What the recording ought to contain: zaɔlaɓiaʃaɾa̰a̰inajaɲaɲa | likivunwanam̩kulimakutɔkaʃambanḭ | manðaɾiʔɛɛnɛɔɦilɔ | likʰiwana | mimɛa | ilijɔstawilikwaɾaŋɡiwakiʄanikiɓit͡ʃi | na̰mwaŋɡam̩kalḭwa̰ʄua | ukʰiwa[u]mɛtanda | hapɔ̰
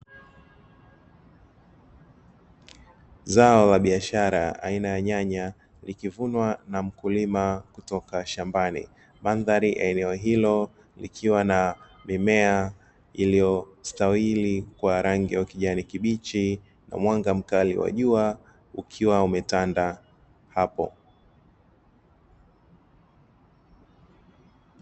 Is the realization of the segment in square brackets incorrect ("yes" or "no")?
no